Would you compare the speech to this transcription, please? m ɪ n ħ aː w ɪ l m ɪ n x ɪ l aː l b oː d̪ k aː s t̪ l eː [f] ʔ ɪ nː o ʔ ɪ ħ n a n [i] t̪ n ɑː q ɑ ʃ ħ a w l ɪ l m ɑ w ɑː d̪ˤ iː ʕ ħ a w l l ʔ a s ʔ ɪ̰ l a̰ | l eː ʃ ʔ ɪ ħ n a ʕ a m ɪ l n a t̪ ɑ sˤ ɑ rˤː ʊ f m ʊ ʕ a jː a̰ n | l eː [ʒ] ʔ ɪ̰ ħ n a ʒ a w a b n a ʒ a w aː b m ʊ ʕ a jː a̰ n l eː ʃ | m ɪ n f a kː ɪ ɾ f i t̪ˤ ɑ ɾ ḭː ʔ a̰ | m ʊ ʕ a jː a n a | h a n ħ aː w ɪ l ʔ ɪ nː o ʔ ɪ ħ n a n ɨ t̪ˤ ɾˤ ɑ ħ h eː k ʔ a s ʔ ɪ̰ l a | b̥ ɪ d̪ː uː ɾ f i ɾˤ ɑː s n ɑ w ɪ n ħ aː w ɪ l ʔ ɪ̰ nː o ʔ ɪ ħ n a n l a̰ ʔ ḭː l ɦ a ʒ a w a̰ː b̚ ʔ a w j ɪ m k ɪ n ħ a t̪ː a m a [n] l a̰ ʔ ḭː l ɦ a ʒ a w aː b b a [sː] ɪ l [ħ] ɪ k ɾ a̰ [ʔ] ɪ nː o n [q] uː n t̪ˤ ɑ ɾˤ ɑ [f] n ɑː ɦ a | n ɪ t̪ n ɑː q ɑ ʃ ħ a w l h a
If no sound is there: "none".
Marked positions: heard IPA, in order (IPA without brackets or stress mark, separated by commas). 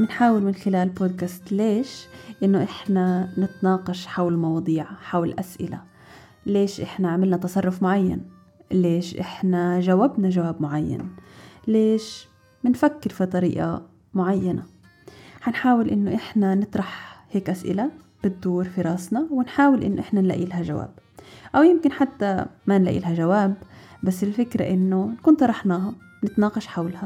ʃ, ɪ, ʃ, n, sː, f, ʔ, k, ħ